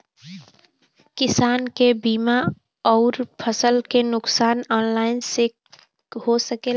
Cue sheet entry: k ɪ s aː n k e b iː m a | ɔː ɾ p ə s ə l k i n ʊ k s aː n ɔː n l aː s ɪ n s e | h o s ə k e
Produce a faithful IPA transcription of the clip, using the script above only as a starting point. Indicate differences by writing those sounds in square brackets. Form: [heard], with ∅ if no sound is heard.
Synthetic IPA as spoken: k ɪ s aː n k e b iː m a | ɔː ɾ [pʰ] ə s ə l k [e] n ʊ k s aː n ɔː n l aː [∅] ɪ n s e | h o s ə k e